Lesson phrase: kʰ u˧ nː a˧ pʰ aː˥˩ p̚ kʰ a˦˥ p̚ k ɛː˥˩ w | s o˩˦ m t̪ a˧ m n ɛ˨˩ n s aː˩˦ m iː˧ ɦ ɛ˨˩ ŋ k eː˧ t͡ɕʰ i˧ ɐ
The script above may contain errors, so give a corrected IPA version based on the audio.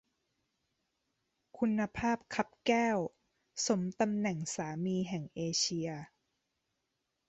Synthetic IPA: kʰ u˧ nː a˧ pʰ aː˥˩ p̚ kʰ a˦˥ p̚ k ɛː˥˩ w | s o˩˦ m t̪ a˧ m n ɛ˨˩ ŋ s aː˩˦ m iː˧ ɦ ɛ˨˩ ŋ ʔ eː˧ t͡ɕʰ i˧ ɐ